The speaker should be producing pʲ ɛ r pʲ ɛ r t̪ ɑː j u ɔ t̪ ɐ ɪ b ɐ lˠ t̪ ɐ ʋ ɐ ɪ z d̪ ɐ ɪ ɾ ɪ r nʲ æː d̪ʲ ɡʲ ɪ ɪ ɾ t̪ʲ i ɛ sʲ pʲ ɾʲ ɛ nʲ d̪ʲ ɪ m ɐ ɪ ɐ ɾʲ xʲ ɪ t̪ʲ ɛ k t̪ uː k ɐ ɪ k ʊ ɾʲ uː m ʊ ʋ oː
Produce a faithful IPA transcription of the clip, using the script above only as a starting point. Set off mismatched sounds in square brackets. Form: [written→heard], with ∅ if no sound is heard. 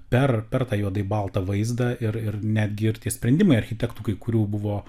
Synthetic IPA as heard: pʲ ɛ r pʲ ɛ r t̪ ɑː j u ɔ [t̪→d̪] ɐ ɪ b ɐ lˠ t̪ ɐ ʋ ɐ ɪ z d̪ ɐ ɪ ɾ ɪ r nʲ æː d̪ʲ ɡʲ ɪ ɪ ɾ t̪ʲ i ɛ sʲ pʲ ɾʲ ɛ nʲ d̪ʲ ɪ m ɐ ɪ ɐ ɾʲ xʲ ɪ t̪ʲ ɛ k t̪ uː k ɐ ɪ k ʊ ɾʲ uː [m→b] ʊ ʋ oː